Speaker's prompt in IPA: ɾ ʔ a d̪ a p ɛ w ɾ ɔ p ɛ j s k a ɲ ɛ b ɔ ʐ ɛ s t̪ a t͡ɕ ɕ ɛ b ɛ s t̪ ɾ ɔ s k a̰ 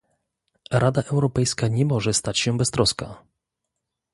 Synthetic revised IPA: ɾ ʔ a d̪ a ʔ ɛ w ɾ ɔ p ɛ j s k a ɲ ɛ m ɔ ʐ ɛ s t̪ a t͡ɕ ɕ ɛ b ɛ s t̪ ɾ ɔ s k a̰